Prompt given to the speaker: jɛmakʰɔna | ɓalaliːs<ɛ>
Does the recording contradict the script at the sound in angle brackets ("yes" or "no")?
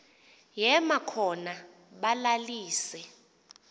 no